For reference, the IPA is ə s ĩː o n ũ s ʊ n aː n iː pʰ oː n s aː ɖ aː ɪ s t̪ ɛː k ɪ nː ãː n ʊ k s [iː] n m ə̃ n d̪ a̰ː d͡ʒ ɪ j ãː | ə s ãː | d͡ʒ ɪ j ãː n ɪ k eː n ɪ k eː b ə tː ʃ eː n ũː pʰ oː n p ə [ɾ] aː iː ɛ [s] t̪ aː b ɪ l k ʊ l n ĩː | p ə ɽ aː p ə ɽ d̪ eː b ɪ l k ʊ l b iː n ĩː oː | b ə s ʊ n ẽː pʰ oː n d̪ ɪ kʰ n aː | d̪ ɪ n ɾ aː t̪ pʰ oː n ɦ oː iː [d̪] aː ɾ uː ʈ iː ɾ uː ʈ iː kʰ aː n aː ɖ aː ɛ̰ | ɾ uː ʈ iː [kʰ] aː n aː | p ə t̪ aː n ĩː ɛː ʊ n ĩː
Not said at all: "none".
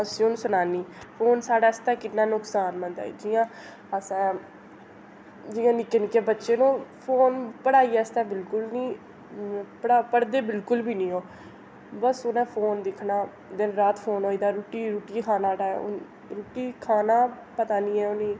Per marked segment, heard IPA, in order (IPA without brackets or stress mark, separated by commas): aː, ɽ, s, d̪, kʰ